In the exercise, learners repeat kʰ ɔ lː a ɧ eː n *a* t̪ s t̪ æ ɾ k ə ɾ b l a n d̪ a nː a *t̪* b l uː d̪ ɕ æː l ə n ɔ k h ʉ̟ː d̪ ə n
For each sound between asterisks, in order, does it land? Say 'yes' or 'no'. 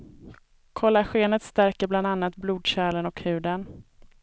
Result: no, yes

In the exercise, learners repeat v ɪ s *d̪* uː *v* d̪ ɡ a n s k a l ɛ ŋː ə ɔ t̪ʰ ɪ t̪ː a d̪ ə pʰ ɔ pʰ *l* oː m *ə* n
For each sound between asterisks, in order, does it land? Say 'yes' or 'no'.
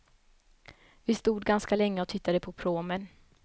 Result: no, no, no, yes

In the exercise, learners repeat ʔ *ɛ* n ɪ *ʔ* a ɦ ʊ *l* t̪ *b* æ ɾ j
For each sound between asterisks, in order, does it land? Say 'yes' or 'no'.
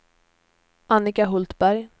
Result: no, no, yes, yes

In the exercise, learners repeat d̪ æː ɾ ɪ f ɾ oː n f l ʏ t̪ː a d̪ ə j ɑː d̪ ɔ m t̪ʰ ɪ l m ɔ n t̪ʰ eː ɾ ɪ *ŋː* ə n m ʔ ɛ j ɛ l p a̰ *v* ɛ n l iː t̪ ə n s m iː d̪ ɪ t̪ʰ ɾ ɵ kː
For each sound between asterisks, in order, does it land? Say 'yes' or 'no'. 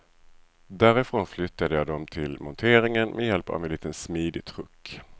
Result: no, yes

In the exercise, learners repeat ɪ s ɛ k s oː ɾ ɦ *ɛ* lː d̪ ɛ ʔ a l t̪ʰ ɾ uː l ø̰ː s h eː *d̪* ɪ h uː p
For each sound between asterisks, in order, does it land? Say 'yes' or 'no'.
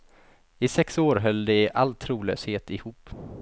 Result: no, no

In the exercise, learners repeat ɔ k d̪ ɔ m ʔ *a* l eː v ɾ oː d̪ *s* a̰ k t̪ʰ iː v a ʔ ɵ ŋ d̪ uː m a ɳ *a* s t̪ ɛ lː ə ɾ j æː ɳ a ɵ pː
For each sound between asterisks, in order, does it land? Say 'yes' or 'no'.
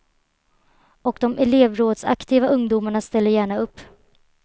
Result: no, yes, yes

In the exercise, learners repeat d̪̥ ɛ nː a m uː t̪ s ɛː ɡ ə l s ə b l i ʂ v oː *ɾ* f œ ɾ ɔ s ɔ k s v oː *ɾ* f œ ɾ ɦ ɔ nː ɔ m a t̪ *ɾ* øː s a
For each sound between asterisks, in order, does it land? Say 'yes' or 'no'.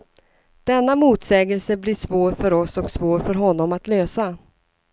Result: yes, yes, no

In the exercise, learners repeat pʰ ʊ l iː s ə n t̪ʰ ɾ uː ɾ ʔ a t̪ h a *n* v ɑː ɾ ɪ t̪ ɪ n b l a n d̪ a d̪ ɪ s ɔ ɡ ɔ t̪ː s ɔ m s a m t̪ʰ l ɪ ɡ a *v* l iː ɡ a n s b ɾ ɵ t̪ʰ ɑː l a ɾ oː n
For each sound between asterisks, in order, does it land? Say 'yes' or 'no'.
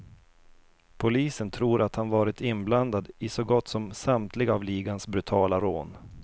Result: yes, yes

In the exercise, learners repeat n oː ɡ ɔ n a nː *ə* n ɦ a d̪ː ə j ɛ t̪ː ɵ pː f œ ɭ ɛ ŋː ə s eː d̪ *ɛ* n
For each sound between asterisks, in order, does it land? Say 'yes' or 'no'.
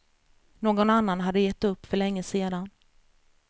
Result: no, no

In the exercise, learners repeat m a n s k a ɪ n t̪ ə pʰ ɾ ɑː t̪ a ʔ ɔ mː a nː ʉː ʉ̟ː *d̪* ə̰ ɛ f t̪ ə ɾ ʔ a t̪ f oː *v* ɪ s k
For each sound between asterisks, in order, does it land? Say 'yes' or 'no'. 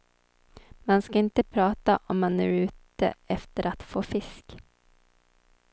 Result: no, no

